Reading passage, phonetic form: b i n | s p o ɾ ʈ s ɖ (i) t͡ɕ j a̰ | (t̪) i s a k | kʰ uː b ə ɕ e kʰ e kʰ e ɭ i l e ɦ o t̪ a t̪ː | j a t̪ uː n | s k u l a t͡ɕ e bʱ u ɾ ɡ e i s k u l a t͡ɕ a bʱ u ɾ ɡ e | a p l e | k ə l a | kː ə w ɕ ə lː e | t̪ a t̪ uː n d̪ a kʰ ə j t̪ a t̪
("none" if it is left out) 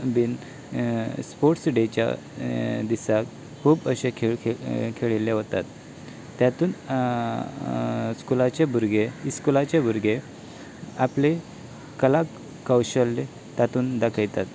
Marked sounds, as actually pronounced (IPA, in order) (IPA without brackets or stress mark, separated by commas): e, d̪